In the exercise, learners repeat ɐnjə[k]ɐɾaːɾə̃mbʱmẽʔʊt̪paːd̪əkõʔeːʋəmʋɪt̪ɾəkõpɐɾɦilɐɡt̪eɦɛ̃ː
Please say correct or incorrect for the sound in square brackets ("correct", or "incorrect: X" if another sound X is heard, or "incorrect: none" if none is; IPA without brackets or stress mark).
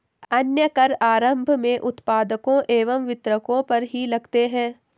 correct